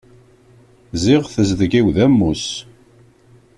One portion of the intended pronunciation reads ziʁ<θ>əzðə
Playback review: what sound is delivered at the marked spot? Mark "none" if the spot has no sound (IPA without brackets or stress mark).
θ